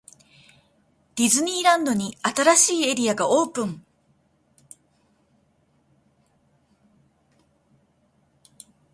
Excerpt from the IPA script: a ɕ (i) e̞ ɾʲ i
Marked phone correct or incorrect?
incorrect